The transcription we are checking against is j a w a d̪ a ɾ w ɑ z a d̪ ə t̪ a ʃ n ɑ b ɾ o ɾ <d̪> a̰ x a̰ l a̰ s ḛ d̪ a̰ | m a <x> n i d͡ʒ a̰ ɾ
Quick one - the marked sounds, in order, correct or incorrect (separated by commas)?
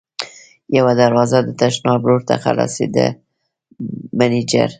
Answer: incorrect, incorrect